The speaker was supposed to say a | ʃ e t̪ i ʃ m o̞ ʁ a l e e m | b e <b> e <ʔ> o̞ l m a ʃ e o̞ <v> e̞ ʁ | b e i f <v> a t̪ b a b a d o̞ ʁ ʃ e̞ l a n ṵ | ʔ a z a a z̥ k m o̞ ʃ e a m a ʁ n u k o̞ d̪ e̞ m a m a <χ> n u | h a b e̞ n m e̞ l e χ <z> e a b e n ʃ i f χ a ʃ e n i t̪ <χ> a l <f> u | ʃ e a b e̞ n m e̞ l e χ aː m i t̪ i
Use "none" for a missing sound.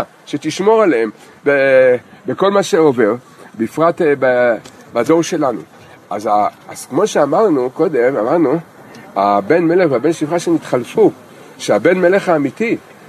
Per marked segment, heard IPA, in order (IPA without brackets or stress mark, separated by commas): b, k, v, ʁ, ʁ, v, χ, f